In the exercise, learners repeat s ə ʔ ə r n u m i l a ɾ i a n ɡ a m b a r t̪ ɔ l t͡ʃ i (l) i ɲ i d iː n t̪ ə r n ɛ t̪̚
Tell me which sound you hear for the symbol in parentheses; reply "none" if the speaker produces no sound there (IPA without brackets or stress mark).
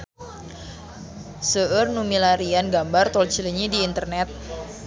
l